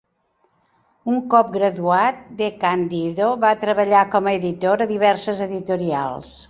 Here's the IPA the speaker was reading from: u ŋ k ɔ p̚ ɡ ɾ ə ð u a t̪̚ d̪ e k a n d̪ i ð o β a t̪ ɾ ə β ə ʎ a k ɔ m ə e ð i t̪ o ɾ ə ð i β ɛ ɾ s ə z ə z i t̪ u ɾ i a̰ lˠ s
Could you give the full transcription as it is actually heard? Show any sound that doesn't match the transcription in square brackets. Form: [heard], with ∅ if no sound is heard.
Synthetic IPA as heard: u ŋ k ɔ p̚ ɡ ɾ ə ð u a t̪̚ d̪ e k a n d̪ i ð o β a t̪ ɾ ə β ə ʎ a k ɔ m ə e ð i t̪ o ɾ ə ð i β ɛ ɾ s ə z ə [ð] i t̪ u ɾ i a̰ lˠ s